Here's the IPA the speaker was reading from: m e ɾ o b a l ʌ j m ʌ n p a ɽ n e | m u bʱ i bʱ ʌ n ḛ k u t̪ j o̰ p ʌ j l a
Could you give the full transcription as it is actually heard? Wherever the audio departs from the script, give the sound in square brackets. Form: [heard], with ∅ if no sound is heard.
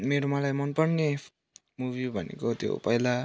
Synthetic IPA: m e ɾ o [m] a l [a] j m ʌ n p [ʌ] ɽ n e | m u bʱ i bʱ ʌ n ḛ k [o] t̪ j o̰ p ʌ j l a